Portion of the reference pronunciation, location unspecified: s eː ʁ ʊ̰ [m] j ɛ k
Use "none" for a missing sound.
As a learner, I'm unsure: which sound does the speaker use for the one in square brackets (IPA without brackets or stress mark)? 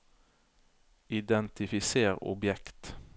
b